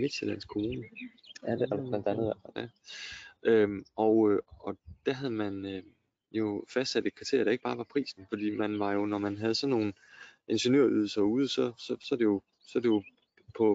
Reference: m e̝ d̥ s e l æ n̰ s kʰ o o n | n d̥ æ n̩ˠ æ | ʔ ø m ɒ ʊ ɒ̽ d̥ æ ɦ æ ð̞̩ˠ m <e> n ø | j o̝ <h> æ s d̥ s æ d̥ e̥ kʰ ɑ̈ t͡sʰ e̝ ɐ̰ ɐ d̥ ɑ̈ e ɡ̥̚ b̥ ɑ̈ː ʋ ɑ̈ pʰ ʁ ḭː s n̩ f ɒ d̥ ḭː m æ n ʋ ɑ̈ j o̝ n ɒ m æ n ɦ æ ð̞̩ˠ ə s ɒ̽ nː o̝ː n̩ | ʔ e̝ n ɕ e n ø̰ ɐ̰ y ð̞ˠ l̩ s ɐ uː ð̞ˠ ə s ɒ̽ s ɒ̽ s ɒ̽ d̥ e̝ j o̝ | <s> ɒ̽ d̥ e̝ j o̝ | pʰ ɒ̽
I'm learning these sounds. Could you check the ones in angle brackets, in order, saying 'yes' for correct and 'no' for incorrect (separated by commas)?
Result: no, no, yes